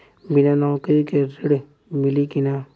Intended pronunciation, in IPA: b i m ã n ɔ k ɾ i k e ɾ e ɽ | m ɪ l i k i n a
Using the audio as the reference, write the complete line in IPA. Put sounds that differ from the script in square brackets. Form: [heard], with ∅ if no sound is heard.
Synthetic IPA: b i [n] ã n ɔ k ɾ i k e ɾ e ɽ | m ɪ l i k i n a